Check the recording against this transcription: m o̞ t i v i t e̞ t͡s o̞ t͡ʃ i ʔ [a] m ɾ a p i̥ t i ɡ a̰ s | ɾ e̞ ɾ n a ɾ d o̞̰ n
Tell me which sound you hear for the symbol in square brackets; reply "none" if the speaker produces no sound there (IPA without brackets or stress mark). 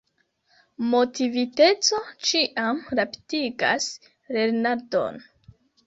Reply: a